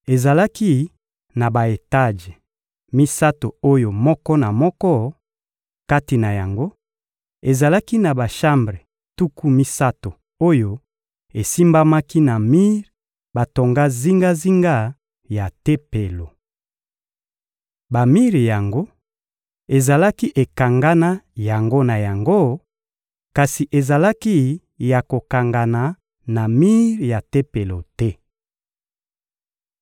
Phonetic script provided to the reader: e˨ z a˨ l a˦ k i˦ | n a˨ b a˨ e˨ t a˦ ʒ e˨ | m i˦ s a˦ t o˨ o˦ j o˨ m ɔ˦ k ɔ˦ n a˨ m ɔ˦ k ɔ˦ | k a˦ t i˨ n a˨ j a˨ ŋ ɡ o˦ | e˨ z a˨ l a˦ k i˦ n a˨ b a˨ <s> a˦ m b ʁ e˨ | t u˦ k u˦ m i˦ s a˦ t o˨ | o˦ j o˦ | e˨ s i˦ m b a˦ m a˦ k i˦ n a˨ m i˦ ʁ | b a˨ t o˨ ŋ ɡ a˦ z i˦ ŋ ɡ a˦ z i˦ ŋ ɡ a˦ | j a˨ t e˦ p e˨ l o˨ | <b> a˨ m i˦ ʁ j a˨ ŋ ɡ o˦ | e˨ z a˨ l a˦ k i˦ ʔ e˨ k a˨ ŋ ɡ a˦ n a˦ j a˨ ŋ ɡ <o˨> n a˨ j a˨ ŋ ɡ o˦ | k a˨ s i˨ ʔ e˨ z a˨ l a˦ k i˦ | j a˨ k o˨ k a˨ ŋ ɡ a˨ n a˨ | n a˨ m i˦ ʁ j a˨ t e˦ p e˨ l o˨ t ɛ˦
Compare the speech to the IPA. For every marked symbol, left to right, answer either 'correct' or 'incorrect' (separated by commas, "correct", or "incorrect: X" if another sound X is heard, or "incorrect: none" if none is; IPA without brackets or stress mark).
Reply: incorrect: ʃ, correct, incorrect: o˦